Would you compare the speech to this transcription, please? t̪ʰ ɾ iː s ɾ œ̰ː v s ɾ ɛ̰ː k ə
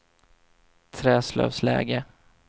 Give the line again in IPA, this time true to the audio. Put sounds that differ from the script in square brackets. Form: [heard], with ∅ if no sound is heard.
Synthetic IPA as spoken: t̪ʰ ɾ [ɛː] s [l] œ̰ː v s [l] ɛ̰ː [ɡ] ə